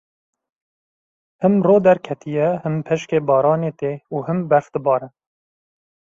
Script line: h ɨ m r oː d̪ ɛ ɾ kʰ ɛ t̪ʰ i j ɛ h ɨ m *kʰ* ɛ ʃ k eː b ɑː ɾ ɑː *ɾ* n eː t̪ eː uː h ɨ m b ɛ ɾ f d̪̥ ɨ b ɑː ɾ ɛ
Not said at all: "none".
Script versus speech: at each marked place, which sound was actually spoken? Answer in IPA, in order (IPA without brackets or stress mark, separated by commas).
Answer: pʰ, none